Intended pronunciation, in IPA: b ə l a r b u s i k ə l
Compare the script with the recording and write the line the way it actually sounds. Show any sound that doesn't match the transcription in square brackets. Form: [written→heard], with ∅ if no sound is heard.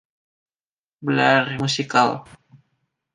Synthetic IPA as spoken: b ə l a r [b→m] u s i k [ə→a] l